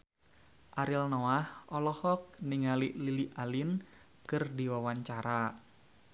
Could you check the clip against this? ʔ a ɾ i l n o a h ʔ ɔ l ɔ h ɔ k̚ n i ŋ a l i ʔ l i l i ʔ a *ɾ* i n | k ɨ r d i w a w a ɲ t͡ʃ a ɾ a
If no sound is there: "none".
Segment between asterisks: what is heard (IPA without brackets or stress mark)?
l